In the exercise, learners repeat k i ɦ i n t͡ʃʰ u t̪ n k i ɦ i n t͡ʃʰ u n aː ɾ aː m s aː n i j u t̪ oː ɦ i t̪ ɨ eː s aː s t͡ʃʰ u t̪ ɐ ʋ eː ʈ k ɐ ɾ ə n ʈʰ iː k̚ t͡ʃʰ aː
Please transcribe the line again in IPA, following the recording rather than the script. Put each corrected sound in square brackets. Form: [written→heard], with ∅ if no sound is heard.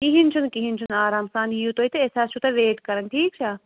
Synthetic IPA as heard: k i ɦ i n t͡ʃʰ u [t̪→∅] n k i ɦ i n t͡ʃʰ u n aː ɾ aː m s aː n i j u t̪ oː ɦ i t̪ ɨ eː s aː s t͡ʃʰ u t̪ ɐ ʋ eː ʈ k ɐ ɾ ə n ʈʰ iː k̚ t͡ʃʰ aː